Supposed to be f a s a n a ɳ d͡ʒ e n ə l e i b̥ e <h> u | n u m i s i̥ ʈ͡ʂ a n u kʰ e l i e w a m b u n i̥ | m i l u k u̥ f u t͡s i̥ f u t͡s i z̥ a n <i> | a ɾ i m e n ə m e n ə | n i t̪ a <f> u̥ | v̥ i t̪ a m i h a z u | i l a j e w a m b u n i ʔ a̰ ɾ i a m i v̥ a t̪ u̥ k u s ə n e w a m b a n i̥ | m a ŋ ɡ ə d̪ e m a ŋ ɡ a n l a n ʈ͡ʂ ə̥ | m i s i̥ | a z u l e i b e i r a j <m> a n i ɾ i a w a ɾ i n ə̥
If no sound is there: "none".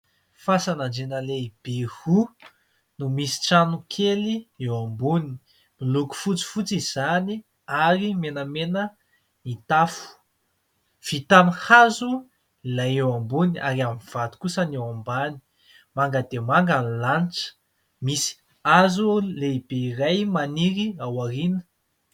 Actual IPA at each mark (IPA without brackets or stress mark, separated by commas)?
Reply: h, i, f, m